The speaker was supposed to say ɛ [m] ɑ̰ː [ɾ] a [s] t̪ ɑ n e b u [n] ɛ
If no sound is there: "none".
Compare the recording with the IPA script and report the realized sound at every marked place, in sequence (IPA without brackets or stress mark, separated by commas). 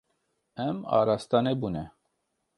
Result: m, ɾ, s, n